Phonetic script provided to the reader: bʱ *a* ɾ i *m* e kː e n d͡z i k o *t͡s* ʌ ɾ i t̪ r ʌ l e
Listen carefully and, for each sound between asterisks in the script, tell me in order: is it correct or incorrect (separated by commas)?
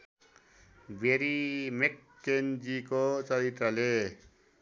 incorrect, correct, correct